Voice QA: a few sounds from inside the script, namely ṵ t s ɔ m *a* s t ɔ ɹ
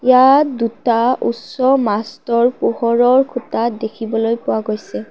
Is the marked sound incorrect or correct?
correct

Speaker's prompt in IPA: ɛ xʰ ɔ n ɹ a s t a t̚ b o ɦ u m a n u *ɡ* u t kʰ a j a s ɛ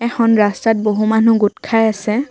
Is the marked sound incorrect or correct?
correct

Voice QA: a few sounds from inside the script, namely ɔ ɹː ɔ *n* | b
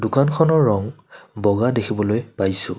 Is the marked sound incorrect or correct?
incorrect: ŋ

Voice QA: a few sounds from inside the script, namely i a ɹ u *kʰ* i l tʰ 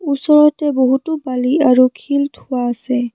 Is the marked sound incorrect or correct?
correct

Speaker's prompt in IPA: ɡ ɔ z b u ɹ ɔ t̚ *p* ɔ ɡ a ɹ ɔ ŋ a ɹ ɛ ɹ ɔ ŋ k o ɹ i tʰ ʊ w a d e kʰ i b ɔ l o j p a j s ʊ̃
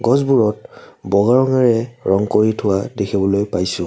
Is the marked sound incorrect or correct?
incorrect: b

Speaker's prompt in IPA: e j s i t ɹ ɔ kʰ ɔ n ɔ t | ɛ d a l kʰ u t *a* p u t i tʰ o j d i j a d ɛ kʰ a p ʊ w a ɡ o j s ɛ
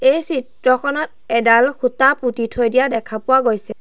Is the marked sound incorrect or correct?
correct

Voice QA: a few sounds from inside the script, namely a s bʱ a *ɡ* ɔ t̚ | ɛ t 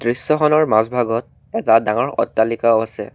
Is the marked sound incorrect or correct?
correct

